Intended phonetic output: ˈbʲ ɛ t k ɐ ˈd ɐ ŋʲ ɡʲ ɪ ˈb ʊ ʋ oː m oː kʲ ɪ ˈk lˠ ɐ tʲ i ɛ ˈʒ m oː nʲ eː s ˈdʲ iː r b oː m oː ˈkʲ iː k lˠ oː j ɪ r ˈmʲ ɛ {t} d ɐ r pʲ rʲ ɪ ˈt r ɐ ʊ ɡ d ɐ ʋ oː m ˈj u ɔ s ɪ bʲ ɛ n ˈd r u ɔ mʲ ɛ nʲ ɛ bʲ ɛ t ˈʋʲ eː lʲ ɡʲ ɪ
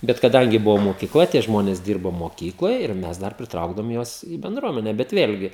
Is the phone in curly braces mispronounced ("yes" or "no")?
yes